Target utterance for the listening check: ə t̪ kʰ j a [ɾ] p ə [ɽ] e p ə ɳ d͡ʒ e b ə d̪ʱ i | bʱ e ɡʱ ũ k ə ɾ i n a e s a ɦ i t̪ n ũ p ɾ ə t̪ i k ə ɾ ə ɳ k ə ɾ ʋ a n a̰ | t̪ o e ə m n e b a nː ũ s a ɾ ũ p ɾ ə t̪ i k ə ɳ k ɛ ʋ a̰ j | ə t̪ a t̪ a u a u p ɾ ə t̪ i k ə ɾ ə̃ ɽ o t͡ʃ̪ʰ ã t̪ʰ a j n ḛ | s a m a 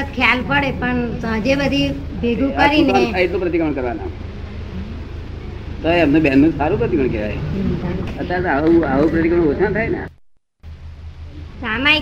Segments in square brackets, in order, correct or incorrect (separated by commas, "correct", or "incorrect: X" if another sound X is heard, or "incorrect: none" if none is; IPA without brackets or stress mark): incorrect: l, correct